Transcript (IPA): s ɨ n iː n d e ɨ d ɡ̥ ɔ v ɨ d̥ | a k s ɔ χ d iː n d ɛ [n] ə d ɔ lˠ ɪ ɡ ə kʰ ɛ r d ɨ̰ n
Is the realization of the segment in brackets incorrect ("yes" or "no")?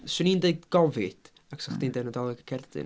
no